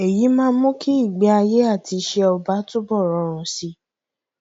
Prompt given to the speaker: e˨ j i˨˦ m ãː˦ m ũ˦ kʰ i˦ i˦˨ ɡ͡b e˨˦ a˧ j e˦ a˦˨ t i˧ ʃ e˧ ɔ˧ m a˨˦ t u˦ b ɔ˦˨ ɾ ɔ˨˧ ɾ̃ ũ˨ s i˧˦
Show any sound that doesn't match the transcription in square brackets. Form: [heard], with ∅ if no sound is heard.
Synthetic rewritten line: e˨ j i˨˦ m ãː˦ m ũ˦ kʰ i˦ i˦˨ ɡ͡b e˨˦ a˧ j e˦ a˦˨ t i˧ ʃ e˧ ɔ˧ [b] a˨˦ t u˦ b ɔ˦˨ ɾ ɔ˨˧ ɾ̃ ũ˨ s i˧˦